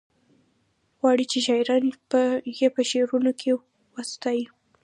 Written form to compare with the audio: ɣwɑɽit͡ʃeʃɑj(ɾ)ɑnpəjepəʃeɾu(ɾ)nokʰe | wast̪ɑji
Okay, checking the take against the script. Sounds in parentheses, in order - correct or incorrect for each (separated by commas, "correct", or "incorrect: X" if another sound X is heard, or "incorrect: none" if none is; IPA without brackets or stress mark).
correct, incorrect: none